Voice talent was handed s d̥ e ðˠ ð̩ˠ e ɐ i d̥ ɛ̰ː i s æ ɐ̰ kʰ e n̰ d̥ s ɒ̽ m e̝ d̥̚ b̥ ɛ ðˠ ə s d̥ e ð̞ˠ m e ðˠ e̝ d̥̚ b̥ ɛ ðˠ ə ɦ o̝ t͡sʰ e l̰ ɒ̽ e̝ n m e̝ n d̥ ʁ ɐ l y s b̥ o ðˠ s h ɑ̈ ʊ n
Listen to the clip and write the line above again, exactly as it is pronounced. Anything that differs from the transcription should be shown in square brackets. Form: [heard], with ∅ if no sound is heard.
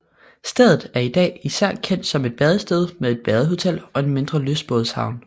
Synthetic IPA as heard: s d̥ e ðˠ ð̩ˠ [æ] ɐ i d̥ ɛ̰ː i s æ ɐ̰ kʰ e n̰ d̥ s ɒ̽ m e̝ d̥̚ b̥ ɛ ðˠ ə s d̥ e ð̞ˠ m e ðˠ e̝ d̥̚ b̥ ɛ ðˠ ə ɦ o̝ t͡sʰ e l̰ ɒ̽ e̝ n m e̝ n d̥ ʁ ɐ l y s b̥ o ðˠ s h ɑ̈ ʊ n

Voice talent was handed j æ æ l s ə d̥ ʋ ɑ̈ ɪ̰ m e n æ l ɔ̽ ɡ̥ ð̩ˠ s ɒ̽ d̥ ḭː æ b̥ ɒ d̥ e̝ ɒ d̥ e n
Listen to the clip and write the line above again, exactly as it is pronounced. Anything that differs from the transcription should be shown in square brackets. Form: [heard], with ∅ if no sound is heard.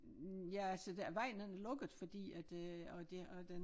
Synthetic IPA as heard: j æ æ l s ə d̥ ʋ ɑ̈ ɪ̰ [n] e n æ l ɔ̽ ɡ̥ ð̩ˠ [f] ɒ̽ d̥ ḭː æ [d̥] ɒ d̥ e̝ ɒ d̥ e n

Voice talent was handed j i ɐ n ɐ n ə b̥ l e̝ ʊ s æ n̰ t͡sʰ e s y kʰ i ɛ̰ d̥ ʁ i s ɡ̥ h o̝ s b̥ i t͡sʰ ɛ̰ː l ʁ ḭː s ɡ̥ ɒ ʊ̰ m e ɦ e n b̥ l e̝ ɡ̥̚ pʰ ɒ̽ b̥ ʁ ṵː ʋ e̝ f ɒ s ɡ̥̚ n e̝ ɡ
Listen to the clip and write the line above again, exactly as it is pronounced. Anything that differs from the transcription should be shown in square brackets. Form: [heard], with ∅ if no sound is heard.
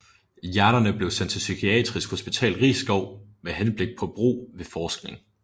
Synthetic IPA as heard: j [æ] ɐ n ɐ n ə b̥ l e̝ ʊ s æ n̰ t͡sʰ e s y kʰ i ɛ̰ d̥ ʁ i s ɡ̥ h o̝ s b̥ i t͡sʰ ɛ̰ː l ʁ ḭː s ɡ̥ ɒ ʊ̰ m e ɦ e n b̥ l e̝ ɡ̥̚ pʰ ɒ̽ b̥ ʁ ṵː ʋ e̝ f [ɒː] s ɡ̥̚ n e̝ [ŋ]

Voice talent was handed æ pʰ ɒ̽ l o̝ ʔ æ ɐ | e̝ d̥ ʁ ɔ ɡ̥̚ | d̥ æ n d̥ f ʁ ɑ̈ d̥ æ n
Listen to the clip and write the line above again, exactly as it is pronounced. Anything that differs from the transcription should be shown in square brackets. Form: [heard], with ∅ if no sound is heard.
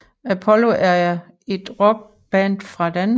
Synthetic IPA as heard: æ pʰ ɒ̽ l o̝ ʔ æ ɐ | e̝ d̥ ʁ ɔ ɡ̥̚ | [b̥] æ n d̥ f ʁ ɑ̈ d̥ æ n

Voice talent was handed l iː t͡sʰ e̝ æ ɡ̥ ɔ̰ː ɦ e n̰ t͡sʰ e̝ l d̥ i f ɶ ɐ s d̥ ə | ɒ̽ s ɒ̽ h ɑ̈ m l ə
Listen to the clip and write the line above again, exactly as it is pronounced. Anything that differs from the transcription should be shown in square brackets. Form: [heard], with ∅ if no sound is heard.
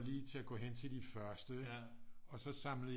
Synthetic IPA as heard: l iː t͡sʰ e̝ æ ɡ̥ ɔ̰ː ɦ e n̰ t͡sʰ e̝ l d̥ i f ɶ ɐ s d̥ ə | ɒ̽ s ɒ̽ [s] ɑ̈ m l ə

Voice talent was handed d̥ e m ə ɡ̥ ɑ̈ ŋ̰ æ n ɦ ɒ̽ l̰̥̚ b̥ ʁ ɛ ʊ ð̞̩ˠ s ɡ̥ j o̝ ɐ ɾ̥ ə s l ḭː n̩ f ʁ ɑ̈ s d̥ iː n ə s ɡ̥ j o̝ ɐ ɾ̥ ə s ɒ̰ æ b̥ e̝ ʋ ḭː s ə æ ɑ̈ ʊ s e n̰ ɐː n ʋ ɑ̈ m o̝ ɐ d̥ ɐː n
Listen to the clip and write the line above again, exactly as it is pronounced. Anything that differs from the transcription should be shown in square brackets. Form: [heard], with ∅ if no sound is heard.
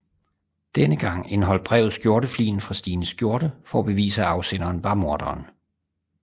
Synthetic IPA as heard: d̥ e [n] ə ɡ̥ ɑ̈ ŋ̰ [e] n ɦ ɒ̽ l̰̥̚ b̥ ʁ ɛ ʊ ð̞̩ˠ s ɡ̥ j o̝ ɐ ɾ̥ ə [f] l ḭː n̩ f ʁ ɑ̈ s d̥ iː n ə s ɡ̥ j o̝ ɐ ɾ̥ ə [f] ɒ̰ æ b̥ e̝ ʋ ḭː s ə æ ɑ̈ ʊ s e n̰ ɐː n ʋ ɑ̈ m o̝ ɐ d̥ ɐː n

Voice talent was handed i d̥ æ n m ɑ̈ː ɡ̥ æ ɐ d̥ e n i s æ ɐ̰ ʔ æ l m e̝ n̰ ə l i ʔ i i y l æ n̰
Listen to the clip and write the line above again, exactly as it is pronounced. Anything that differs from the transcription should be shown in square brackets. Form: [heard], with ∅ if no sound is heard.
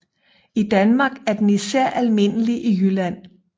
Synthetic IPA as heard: i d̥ æ n m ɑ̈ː ɡ̥ æ ɐ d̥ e n i s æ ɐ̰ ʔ æ l m e̝ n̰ ə l i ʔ i [j] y l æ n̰

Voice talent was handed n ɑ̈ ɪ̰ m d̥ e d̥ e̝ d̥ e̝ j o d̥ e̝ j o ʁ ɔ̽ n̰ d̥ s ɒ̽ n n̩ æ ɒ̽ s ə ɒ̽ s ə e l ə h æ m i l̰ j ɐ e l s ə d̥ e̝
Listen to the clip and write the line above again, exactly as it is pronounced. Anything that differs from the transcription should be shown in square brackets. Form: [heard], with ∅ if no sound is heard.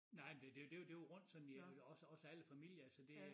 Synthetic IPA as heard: n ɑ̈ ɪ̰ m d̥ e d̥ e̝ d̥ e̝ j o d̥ e̝ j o ʁ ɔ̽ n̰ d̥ s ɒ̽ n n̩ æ ɒ̽ s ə ɒ̽ s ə [æ] l ə [f] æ m i l̰ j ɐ [æ] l s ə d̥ e̝

